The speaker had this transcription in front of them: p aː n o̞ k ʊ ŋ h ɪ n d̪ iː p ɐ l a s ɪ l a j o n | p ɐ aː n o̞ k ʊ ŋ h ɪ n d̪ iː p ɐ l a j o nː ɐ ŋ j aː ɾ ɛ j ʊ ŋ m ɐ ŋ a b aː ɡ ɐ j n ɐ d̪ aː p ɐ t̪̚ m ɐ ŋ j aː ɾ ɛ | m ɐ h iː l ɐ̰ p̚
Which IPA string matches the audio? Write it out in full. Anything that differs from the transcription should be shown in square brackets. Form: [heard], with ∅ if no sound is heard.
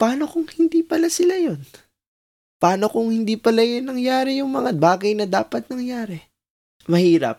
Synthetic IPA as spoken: p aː n o̞ k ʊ ŋ h ɪ n d̪ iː p ɐ l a s ɪ l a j o n | p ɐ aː n o̞ k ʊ ŋ h ɪ n d̪ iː p ɐ l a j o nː ɐ ŋ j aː ɾ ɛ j ʊ ŋ m ɐ ŋ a b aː ɡ ɐ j n ɐ d̪ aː p ɐ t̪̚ [n] ɐ ŋ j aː ɾ ɛ | m ɐ h iː [ɾ] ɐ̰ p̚